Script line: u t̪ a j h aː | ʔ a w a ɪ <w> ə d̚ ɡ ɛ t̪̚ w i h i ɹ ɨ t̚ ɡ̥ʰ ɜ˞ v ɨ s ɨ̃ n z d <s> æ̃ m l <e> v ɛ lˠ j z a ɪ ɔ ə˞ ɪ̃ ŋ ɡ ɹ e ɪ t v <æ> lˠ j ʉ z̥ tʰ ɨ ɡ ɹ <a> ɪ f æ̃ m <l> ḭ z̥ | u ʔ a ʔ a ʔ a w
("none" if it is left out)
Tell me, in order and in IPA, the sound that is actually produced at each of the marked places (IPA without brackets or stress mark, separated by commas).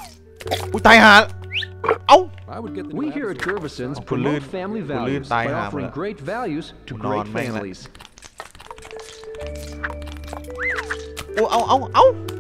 w, f, i, æ, e, l